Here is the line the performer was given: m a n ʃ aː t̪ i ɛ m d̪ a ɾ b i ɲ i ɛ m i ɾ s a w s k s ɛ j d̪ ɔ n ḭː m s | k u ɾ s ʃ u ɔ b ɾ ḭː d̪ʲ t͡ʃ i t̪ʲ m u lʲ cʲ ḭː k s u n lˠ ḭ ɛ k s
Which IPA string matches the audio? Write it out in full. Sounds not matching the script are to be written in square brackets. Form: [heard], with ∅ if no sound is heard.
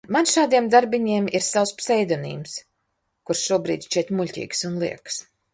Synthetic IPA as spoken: m a n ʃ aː [d̪] i ɛ m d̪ a ɾ b i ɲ i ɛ m i ɾ s a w s [p] s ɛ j d̪ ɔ n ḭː m s | k u ɾ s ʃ u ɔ b ɾ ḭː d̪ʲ t͡ʃ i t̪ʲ m u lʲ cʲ ḭː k s u n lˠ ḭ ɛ k s